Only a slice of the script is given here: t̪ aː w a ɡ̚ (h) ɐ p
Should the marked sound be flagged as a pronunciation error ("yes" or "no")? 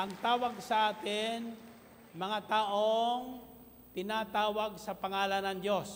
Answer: yes